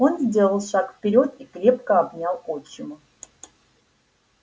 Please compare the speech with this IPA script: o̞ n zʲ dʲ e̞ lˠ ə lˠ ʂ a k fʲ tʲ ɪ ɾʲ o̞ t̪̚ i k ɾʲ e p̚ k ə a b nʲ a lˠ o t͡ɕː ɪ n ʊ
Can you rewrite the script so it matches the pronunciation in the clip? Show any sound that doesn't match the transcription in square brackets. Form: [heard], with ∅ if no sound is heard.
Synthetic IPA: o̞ n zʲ dʲ e̞ lˠ ə lˠ ʂ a k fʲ [pʲ] ɪ ɾʲ o̞ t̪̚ i k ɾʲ e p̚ k ə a b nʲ a lˠ o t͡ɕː ɪ [m] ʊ